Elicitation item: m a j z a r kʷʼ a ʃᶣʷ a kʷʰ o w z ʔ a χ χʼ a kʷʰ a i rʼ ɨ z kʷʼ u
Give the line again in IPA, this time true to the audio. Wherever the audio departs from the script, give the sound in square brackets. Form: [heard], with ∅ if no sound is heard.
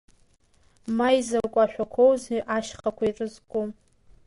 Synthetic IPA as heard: m a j z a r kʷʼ a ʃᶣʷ a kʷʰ o w z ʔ a [ʃ] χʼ a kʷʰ a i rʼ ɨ z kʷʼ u